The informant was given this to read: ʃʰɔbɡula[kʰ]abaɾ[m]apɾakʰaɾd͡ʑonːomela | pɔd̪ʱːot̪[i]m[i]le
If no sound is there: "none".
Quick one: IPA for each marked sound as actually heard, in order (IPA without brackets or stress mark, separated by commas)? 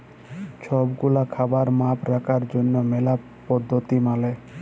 kʰ, m, i, a